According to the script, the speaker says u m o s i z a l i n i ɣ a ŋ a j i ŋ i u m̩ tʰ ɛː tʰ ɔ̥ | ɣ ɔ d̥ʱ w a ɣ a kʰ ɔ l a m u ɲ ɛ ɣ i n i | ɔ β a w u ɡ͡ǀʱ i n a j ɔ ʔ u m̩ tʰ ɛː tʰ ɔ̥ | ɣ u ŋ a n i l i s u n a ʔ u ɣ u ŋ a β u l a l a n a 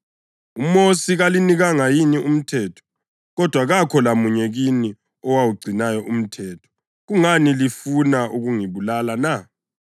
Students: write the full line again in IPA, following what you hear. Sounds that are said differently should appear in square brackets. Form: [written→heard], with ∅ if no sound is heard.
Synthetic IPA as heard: u m o s i [z→ɣ] a l i n i ɣ a ŋ a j i [ŋ→n] i u m̩ tʰ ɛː tʰ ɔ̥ | ɣ ɔ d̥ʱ w a ɣ a kʰ ɔ l a m u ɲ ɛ ɣ i n i | ɔ [β→w] a w u ɡ͡ǀʱ i n a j ɔ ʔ u m̩ tʰ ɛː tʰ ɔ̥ | ɣ u ŋ a n i l i [s→f] u n a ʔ u ɣ u ŋ [a→i] β u l a l a n a

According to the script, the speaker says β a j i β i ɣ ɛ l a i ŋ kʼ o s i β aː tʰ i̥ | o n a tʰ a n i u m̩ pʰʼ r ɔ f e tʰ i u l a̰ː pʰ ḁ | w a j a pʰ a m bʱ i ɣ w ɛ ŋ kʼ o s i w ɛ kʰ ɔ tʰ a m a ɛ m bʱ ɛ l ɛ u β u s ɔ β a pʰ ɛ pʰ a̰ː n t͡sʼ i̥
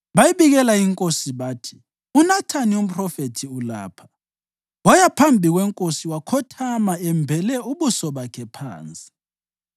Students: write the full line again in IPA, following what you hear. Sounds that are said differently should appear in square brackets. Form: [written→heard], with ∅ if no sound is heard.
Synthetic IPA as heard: β a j i β i ɣ ɛ l a i ŋ kʼ o s i β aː tʰ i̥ | [o→u] n a tʰ a n i u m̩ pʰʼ r ɔ f e tʰ i u l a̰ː pʰ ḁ | w a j a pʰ a m bʱ i ɣ w ɛ ŋ kʼ o s i w [ɛ→a] kʰ ɔ tʰ a m a ɛ m bʱ ɛ l ɛ u β u s ɔ β a [pʰ→kʰ] ɛ pʰ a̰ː n t͡sʼ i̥

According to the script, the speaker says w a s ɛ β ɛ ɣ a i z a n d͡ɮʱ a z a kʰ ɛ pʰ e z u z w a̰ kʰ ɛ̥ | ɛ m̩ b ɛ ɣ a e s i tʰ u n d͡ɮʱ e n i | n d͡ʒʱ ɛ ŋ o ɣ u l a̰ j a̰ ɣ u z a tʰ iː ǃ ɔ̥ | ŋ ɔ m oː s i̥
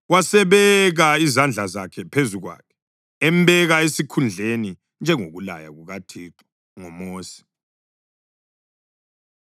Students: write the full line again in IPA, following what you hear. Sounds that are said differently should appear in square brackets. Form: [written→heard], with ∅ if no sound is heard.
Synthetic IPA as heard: w a s ɛ β ɛ ɣ a i z a n d͡ɮʱ a z a kʰ ɛ pʰ e z u [z→ɣ] w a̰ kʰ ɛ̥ | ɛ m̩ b ɛ ɣ a e s i [tʰ→kʰ] u n d͡ɮʱ e n i | n d͡ʒʱ ɛ ŋ o ɣ u l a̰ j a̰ ɣ u [z→ɣ] a tʰ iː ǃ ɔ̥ | ŋ ɔ m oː s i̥

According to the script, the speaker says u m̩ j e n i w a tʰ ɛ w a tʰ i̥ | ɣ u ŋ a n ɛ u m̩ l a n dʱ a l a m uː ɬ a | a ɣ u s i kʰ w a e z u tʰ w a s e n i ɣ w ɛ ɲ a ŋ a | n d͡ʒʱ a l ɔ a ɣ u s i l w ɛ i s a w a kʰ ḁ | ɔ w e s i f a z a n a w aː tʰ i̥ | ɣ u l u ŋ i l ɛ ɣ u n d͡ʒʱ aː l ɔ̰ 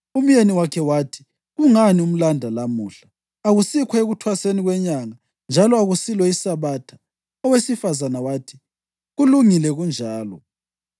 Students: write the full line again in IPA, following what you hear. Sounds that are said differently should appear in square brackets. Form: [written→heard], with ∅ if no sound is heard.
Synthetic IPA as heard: u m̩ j e n i w a [tʰ→kʰ] ɛ w a tʰ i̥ | ɣ u ŋ a n [ɛ→i] u m̩ l a n dʱ a l a m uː ɬ a | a ɣ u s i kʰ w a e [z→ɣ] u tʰ w a s e n i ɣ w ɛ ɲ a ŋ a | n d͡ʒʱ a l ɔ a ɣ u s i l w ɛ i s a [w→β] a [kʰ→tʰ] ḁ | ɔ w e s i f a z a n a w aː tʰ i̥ | ɣ u l u ŋ i l ɛ ɣ u n d͡ʒʱ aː l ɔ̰

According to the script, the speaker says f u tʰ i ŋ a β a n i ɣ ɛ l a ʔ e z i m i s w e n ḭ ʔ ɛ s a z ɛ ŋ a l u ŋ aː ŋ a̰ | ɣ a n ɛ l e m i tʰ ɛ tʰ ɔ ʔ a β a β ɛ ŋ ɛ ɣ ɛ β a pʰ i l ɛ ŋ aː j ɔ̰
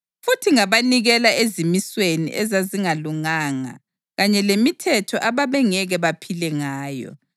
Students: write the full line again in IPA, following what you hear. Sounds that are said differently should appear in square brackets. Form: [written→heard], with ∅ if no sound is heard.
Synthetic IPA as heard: f u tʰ i ŋ a β a n i ɣ ɛ l a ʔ e z i m i s w e n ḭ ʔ ɛ [s→z] a z [ɛ→i] ŋ a l u ŋ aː ŋ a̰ | ɣ a [n→ɲ] ɛ l e m i tʰ ɛ tʰ ɔ ʔ a β a β ɛ ŋ ɛ ɣ ɛ β a pʰ i l ɛ ŋ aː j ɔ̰

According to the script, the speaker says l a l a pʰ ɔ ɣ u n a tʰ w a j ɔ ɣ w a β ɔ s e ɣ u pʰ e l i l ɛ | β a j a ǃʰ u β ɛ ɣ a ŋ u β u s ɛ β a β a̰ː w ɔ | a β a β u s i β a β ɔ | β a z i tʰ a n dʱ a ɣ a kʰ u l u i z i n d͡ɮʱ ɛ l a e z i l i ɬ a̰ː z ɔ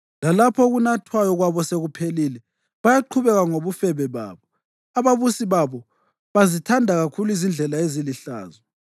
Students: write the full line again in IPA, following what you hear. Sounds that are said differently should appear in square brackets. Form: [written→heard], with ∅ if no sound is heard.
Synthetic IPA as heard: l a l a pʰ ɔ ɣ u n a tʰ w a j ɔ ɣ w a β ɔ s e ɣ u pʰ e l i l ɛ | β a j a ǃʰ u β ɛ ɣ a ŋ [u→o] β u [s→f] ɛ β [a→ɛ] β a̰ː [w→β] ɔ | a β a β u s i β a β ɔ | β a z i tʰ a n dʱ a ɣ a kʰ u l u i z i n d͡ɮʱ ɛ l a e z i l i ɬ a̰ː z ɔ

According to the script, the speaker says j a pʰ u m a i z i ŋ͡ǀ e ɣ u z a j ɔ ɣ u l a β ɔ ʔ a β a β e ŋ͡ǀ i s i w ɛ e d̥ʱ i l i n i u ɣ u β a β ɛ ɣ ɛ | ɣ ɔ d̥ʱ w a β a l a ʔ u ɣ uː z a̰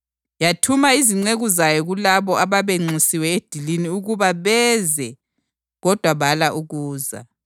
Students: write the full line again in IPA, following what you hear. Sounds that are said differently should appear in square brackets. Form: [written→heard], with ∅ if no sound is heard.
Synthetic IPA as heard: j a [pʰ→tʰ] u m a i z i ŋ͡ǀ e ɣ u z a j ɔ ɣ u l a β ɔ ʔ a β a β e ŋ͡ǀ i s i w ɛ e d̥ʱ i l i n i u ɣ u β a β ɛ [ɣ→z] ɛ | ɣ ɔ d̥ʱ w a β a l a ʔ u ɣ uː z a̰

